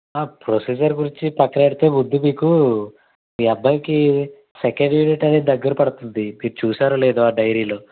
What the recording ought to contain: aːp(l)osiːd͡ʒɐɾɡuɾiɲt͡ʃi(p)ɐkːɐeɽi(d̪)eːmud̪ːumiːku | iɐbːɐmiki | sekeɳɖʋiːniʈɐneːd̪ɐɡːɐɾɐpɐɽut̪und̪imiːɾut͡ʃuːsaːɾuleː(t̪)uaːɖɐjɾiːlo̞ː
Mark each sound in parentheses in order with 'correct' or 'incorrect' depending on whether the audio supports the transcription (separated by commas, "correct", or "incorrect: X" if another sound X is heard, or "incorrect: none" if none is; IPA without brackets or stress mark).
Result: incorrect: ɾ, correct, incorrect: t̪, incorrect: d̪